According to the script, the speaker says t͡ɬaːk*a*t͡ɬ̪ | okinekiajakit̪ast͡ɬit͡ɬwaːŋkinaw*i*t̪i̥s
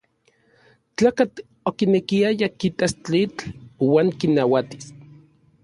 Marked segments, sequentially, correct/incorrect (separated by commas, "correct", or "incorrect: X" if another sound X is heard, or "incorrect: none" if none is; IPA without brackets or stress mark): correct, incorrect: a